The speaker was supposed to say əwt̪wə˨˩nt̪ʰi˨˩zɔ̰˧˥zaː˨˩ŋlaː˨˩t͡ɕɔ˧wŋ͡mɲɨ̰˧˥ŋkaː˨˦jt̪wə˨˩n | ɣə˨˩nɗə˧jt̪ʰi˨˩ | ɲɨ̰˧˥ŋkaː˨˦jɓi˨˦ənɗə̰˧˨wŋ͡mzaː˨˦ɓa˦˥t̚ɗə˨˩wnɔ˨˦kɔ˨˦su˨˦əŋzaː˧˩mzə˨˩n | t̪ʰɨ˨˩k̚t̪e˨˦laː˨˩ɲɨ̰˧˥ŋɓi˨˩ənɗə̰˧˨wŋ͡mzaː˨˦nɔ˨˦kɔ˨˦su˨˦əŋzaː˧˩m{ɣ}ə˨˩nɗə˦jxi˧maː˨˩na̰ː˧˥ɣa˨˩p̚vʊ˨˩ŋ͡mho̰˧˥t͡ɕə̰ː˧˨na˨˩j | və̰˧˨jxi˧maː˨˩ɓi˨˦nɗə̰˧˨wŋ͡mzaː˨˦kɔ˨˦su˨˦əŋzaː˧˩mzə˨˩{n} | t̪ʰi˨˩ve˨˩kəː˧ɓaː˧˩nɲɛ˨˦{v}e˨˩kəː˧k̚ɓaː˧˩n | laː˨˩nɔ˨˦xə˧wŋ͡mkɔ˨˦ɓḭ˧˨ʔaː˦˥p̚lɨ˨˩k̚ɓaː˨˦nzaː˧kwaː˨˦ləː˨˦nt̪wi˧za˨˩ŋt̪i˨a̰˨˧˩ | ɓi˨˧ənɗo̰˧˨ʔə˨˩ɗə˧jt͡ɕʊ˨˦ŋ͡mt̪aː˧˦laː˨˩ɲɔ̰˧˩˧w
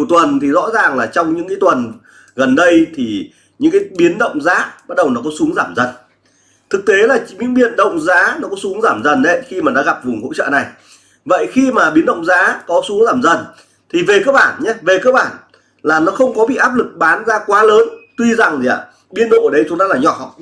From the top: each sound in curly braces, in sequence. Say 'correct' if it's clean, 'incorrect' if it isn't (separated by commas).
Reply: incorrect, correct, correct